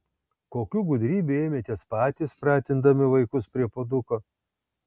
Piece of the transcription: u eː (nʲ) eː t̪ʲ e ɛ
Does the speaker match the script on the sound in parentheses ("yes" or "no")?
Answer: no